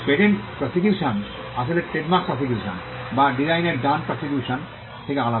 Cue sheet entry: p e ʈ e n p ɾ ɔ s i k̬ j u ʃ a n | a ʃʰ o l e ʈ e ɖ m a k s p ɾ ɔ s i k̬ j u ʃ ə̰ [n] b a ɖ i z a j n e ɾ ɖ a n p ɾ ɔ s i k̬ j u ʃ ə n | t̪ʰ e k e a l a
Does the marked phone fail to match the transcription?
no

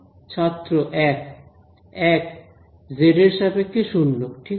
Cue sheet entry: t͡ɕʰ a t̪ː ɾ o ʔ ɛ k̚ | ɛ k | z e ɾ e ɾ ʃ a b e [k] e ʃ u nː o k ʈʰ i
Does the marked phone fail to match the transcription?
no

